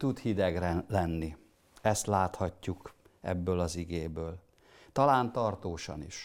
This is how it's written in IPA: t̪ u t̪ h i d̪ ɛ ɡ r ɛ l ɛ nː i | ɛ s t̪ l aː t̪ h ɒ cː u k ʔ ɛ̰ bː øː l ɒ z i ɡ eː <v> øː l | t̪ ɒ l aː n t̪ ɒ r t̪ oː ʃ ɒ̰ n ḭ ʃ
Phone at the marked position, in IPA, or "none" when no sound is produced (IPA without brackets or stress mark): b